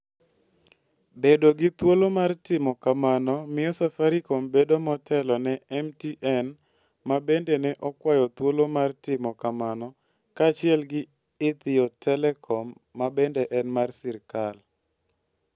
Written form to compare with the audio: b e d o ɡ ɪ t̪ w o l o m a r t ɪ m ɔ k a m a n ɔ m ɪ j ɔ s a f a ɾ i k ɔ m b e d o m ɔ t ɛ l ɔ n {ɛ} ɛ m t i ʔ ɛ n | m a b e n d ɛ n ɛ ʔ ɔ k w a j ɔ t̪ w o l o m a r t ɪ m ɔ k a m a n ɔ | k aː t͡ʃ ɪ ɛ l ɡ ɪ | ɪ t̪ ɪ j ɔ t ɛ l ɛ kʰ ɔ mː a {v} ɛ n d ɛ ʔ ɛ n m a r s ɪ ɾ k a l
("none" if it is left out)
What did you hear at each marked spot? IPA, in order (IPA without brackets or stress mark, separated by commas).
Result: ɛ, b